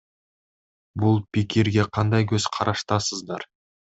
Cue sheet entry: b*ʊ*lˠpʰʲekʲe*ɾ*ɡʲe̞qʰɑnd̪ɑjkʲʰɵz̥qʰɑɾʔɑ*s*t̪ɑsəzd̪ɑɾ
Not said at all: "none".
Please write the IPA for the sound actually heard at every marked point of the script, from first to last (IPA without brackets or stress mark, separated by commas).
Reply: ʊ, ɾ, ʃ